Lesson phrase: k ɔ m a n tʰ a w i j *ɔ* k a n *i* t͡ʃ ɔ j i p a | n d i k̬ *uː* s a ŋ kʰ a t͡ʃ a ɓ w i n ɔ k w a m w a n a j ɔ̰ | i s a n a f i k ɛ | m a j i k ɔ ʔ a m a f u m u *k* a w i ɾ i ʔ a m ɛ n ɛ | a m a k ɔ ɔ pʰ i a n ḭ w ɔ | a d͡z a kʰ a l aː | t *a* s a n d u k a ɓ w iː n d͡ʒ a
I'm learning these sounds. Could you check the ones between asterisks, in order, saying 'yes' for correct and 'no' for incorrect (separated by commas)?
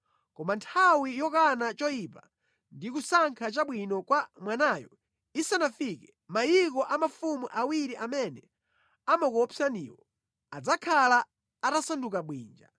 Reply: yes, no, no, no, yes